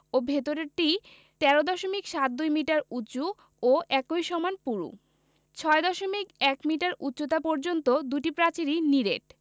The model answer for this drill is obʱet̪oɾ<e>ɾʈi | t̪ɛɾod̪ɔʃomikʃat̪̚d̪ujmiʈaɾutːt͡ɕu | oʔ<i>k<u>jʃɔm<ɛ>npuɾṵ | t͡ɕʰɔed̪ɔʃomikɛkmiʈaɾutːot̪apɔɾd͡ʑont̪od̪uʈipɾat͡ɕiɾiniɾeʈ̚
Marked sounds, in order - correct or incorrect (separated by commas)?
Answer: correct, incorrect, incorrect, incorrect